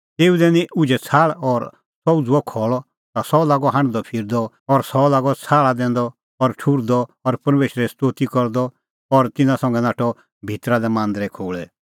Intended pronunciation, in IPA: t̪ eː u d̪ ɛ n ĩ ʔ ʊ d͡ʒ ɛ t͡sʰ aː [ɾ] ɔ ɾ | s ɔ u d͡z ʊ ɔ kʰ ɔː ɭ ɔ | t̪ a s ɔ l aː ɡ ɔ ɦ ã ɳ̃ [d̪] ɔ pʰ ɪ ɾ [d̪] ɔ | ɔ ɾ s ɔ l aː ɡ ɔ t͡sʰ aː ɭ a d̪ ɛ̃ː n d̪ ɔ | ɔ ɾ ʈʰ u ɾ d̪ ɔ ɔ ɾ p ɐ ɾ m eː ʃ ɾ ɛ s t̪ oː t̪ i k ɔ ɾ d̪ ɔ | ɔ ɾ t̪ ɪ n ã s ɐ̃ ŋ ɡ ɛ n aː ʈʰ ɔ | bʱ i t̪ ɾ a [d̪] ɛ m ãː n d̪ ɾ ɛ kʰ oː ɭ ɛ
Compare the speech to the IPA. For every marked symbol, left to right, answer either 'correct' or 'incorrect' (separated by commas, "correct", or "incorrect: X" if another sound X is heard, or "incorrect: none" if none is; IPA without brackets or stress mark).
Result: incorrect: ɭ, correct, correct, correct